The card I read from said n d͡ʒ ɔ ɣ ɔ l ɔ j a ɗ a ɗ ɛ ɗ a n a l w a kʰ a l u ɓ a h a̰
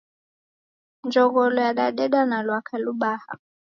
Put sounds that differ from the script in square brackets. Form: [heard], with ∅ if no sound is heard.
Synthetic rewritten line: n d͡ʒ ɔ ɣ ɔ l ɔ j a ɗ a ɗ ɛ ɗ a n a l w a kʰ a l u ɓ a h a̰